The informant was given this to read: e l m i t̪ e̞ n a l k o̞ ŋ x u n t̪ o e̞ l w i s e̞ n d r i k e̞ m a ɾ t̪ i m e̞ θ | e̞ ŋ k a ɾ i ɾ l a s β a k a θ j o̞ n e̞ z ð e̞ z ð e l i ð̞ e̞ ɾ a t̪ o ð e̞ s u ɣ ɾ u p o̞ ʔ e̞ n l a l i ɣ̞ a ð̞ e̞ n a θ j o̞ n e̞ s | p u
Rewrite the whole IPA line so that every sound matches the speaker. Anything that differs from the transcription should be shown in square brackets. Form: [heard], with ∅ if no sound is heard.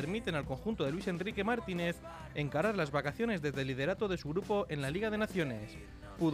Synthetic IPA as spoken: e [ɾ] m i t̪ e̞ n a l k o̞ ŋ x u n t̪ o e̞ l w i s e̞ n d r i k e̞ m a ɾ t̪ i [n] e̞ θ | e̞ ŋ k a ɾ [a] ɾ l a [z] β a k a θ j o̞ n e̞ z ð e̞ z ð e l i ð̞ e̞ ɾ a t̪ o ð e̞ s u ɣ ɾ u p o̞ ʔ e̞ n l a l i ɣ̞ a ð̞ e̞ n a θ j o̞ n e̞ s | p u